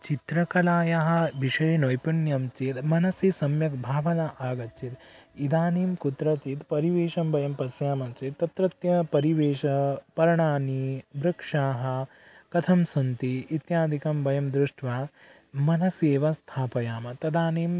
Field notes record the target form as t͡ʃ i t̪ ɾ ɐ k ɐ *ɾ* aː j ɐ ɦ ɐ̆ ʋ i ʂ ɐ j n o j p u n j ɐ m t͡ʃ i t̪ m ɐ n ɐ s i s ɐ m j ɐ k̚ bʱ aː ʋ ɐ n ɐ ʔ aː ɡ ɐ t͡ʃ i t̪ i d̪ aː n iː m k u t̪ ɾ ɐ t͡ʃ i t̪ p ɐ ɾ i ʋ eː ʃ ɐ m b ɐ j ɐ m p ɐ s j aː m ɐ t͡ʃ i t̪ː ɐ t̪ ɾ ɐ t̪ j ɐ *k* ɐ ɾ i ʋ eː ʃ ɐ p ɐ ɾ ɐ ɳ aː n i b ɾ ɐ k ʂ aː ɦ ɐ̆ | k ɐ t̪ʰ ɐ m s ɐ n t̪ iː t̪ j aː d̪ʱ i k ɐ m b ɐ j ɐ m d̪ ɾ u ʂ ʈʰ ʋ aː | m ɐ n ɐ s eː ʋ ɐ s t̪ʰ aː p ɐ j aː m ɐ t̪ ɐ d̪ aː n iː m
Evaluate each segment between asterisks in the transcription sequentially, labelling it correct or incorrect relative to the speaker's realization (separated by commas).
incorrect, incorrect